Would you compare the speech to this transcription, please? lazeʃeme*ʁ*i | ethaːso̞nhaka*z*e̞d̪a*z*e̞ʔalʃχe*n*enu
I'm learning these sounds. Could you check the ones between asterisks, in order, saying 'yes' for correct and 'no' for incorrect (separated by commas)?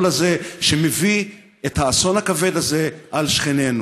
no, no, yes, yes